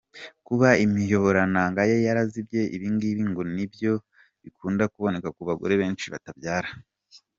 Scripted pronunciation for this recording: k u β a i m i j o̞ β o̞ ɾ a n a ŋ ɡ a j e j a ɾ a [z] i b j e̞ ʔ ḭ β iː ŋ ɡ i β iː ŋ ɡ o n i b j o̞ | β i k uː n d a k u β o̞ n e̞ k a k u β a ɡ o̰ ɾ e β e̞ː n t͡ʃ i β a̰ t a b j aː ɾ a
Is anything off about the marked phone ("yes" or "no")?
no